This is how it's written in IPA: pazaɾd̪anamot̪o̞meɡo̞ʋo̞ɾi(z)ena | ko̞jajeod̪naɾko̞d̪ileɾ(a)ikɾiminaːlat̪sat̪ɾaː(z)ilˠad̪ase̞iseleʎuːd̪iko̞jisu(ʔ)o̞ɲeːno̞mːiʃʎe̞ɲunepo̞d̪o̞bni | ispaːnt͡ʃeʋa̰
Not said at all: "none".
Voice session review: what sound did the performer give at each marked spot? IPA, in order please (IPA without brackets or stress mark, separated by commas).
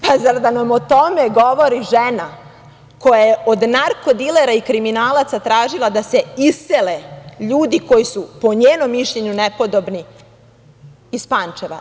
ʒ, a, ʒ, p